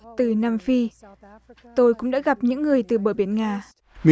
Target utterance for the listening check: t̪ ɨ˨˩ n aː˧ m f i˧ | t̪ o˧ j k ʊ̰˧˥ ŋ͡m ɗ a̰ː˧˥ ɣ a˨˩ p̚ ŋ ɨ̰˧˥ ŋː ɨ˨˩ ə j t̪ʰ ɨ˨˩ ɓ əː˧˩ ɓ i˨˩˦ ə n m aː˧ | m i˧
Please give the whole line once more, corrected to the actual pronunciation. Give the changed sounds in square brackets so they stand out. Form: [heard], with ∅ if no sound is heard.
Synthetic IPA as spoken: t̪ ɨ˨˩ n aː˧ m f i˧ | t̪ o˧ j k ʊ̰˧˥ ŋ͡m ɗ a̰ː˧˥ ɣ a˨˩ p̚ [ɲ] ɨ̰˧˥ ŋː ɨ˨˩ ə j [t̪] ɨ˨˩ ɓ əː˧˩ ɓ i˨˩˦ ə n [ŋ] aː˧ | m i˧